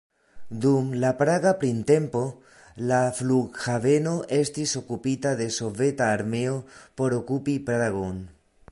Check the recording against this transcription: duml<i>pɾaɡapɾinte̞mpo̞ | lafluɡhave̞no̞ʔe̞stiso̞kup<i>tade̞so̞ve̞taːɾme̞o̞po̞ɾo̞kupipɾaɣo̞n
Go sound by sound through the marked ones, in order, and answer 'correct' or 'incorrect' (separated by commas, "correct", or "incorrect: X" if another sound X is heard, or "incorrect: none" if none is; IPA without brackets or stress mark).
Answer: incorrect: a, correct